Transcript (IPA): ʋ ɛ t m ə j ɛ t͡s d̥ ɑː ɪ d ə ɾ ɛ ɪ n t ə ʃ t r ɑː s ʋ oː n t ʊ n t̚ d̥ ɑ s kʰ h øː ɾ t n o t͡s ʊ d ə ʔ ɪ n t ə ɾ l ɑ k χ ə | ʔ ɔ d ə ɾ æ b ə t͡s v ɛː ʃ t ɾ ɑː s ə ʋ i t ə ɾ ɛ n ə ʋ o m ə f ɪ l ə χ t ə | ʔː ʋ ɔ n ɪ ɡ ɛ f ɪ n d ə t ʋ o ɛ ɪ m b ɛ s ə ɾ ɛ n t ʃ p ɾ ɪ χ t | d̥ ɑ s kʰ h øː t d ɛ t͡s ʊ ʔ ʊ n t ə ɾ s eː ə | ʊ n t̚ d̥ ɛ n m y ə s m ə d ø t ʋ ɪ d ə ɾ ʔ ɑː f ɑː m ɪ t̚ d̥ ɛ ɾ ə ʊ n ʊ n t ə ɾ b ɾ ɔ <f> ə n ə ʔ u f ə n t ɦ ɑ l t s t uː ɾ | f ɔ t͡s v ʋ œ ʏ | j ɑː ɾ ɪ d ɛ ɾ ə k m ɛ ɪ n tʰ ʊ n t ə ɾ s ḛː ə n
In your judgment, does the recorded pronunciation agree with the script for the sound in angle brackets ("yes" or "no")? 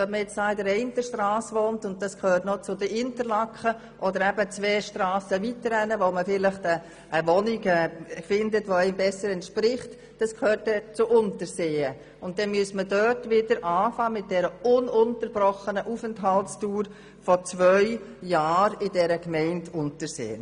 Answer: no